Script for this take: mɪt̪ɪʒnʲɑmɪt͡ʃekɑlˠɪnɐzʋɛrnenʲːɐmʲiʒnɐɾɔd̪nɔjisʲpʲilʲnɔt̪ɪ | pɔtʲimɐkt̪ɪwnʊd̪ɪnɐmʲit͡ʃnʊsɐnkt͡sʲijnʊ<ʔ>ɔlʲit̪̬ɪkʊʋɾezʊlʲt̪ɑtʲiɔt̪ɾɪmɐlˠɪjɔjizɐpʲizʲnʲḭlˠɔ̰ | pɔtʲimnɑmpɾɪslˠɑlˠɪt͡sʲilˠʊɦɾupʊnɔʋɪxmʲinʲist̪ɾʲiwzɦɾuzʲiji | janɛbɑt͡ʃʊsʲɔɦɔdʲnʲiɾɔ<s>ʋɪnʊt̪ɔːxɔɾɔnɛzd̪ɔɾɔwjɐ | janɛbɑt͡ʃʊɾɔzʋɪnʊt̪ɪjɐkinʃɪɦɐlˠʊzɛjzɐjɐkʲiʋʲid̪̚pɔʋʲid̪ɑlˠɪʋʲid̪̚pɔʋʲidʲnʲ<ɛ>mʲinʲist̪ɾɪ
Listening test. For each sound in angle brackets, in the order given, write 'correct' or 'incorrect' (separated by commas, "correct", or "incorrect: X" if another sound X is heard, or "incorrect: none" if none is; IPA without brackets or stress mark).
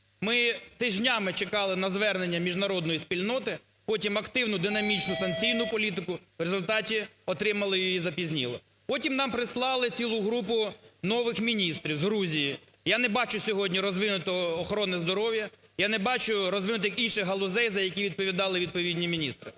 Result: incorrect: p, incorrect: z, incorrect: i